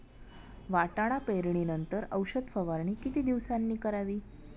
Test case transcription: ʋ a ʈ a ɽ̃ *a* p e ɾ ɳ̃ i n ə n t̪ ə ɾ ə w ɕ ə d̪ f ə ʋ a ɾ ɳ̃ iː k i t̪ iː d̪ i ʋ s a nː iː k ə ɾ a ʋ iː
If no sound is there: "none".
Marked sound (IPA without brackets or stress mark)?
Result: a